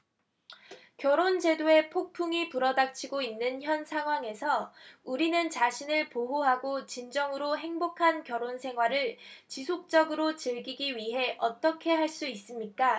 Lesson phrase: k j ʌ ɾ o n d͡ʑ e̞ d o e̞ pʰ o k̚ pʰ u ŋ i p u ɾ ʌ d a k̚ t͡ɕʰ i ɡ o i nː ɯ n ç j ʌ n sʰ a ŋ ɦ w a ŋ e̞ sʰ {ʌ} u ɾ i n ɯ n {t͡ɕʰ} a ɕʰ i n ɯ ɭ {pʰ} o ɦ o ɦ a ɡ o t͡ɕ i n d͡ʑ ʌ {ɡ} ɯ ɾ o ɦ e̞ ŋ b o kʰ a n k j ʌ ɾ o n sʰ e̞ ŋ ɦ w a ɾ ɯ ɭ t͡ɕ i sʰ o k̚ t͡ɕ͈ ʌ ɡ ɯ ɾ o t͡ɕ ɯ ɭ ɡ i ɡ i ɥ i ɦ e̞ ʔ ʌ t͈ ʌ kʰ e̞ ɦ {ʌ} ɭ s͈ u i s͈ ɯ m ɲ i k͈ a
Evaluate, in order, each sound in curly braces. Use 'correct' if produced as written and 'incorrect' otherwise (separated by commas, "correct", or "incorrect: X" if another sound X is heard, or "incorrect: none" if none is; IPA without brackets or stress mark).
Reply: correct, incorrect: t͡ɕ, incorrect: p, incorrect: ŋ, incorrect: a